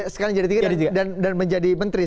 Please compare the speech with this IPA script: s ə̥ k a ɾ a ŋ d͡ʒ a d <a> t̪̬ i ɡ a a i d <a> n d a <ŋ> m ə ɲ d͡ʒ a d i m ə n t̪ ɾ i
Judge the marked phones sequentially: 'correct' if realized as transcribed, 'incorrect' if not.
incorrect, correct, incorrect

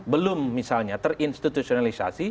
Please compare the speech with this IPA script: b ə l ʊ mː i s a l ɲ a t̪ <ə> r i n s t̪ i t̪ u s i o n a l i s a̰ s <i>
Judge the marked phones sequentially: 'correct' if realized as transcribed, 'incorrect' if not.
correct, correct

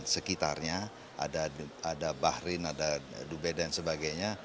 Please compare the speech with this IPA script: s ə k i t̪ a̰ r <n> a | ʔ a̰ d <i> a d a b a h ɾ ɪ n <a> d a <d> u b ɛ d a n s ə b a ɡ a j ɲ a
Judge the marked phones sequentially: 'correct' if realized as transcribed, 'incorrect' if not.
incorrect, incorrect, correct, correct

